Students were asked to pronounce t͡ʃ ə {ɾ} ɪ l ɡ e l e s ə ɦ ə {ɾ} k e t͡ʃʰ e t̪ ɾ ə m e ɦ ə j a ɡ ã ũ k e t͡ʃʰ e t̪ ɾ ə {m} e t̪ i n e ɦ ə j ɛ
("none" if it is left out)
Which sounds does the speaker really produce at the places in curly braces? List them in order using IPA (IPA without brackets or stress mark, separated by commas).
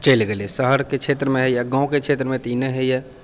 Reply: none, ɾ, m